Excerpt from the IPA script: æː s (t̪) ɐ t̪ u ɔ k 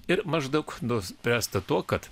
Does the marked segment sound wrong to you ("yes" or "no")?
no